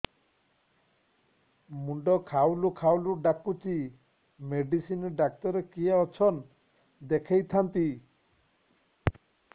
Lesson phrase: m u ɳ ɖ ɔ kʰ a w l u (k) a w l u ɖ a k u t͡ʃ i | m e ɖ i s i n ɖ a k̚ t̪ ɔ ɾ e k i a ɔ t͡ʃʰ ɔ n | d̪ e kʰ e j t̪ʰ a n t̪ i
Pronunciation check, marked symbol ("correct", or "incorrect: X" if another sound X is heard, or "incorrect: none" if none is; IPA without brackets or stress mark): incorrect: kʰ